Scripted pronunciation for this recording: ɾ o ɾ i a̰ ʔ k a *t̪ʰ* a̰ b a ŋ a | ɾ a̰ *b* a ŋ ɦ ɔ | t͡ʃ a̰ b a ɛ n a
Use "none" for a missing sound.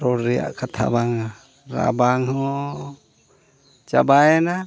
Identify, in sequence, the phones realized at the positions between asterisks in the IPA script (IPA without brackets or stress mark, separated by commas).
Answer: t̪ʰ, b